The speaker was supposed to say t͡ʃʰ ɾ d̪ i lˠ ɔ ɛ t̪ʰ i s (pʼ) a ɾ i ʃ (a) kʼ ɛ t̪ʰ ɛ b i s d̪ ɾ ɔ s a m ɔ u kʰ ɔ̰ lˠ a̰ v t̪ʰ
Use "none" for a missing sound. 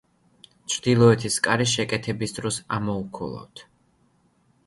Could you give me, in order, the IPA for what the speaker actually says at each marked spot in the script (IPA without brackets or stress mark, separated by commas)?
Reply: kʼ, ɛ